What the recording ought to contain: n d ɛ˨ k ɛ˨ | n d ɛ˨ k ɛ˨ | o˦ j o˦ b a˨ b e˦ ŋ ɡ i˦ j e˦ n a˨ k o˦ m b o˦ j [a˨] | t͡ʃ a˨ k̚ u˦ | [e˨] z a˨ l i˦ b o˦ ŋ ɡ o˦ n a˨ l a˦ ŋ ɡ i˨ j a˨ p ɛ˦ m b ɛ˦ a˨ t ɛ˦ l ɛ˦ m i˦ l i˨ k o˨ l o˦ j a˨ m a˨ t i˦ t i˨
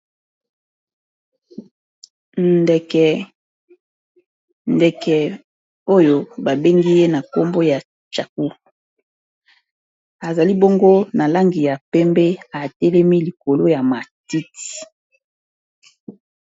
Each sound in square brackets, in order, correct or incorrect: correct, incorrect

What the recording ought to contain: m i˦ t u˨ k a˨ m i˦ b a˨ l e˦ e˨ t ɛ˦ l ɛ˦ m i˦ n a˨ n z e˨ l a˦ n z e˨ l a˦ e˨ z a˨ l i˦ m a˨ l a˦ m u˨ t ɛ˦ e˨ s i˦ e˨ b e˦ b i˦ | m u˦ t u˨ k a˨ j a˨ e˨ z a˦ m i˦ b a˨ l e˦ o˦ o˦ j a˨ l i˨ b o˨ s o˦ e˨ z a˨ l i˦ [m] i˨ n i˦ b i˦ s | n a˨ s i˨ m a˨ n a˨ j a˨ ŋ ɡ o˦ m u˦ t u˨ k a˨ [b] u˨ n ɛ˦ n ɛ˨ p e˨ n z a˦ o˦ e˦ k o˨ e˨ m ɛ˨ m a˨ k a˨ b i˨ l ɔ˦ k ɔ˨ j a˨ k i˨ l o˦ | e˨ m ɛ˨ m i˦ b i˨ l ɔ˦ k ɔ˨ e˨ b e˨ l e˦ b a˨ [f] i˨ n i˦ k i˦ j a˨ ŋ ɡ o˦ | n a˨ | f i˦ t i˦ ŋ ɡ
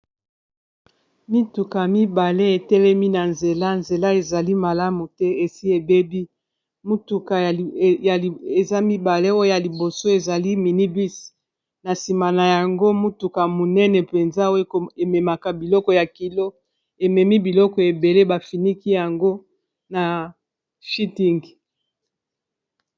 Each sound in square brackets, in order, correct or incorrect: correct, incorrect, correct

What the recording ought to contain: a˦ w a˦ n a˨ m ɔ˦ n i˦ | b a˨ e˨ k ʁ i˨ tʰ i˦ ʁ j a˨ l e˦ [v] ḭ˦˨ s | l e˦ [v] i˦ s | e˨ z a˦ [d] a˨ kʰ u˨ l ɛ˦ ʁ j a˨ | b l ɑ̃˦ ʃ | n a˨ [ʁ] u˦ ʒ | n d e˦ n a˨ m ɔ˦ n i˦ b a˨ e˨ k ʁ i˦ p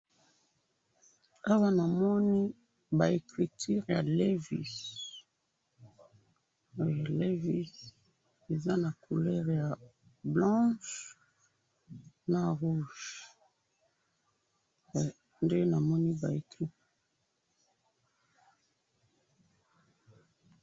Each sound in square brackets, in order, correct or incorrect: correct, correct, incorrect, correct

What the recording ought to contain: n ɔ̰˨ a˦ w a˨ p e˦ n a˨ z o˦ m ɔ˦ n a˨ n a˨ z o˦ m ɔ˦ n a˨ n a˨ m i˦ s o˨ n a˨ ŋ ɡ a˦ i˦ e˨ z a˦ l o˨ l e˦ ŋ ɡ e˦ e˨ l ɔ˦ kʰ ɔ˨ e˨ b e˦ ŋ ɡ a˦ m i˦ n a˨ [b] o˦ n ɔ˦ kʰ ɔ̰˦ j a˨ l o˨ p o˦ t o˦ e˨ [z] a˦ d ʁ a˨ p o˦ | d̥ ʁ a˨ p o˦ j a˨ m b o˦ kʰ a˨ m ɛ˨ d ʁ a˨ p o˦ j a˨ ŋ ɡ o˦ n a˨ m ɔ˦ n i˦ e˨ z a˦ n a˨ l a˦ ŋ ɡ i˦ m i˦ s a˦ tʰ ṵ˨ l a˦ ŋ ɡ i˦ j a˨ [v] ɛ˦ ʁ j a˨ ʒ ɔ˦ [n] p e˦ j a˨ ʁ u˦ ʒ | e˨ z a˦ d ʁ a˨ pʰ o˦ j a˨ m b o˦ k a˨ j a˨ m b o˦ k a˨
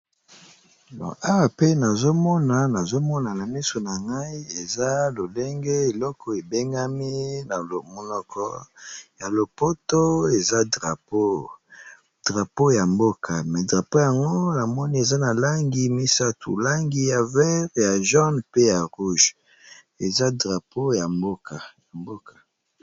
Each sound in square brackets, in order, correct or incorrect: incorrect, correct, correct, correct

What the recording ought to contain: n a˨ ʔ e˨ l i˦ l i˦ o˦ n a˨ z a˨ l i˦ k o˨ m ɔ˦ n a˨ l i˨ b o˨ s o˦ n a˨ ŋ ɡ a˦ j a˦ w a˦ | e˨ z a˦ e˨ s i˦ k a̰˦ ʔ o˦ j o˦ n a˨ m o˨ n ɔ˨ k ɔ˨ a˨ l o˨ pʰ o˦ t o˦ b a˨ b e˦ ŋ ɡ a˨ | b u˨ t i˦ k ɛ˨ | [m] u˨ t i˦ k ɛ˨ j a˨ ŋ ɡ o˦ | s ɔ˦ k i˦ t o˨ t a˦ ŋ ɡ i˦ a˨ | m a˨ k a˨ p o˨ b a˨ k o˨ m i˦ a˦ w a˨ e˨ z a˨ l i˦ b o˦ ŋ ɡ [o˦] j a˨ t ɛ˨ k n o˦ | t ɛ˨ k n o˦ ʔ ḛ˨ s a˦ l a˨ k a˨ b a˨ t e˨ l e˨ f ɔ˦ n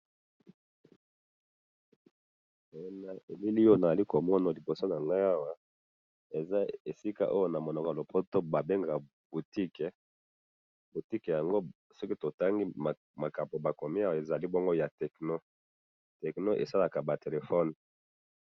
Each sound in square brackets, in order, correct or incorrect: incorrect, correct

